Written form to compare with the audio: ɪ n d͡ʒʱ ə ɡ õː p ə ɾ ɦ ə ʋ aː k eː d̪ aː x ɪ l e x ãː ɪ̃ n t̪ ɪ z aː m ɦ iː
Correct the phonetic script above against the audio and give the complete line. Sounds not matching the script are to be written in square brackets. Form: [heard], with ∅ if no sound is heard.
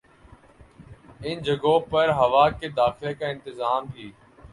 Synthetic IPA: ɪ n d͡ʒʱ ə ɡ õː p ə ɾ ɦ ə ʋ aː k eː d̪ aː x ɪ l e [k] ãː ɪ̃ n t̪ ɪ z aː m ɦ iː